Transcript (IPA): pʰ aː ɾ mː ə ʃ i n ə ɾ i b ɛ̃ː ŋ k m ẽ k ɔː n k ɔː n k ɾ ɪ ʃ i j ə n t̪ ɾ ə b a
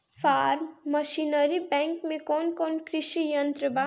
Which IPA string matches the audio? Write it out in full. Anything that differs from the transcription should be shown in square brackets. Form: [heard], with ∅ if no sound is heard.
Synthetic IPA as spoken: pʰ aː ɾ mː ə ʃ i n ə ɾ i b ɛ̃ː ŋ k m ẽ k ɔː n k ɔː n k ɾ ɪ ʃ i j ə n t̪ ɾ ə b a